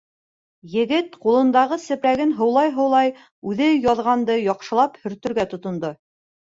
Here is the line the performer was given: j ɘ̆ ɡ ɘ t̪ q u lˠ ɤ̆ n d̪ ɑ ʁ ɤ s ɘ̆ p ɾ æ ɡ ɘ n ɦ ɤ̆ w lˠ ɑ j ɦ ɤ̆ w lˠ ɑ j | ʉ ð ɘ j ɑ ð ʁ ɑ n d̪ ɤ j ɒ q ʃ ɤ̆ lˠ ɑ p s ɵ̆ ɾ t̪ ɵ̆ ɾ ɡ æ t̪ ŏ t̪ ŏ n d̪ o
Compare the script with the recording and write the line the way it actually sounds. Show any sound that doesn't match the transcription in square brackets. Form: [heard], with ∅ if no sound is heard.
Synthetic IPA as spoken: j ɘ̆ ɡ ɘ t̪ q u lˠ ɤ̆ n d̪ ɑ ʁ ɤ s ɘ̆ p ɾ æ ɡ ɘ n ɦ ɤ̆ w lˠ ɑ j ɦ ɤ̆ w lˠ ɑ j | ʉ ð ɘ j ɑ ð ʁ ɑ n d̪ ɤ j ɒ q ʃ ɤ̆ lˠ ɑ p [h] ɵ̆ ɾ t̪ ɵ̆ ɾ ɡ æ t̪ ŏ t̪ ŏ n d̪ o

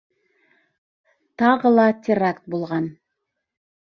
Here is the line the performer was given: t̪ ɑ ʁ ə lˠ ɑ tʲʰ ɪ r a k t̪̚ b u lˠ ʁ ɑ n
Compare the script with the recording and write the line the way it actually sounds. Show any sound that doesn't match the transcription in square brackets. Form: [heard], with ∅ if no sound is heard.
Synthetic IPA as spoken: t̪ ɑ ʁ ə lˠ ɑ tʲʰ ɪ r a k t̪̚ b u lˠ ʁ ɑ n

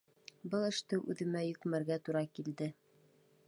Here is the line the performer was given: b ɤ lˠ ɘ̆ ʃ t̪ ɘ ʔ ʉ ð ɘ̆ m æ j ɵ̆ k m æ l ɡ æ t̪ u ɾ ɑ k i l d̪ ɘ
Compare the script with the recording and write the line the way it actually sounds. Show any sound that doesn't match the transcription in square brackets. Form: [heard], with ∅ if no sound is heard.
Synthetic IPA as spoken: b ɤ lˠ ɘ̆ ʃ t̪ ɘ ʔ ʉ ð ɘ̆ m æ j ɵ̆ k m æ [ɾ] ɡ æ t̪ u ɾ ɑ k i l d̪ ɘ

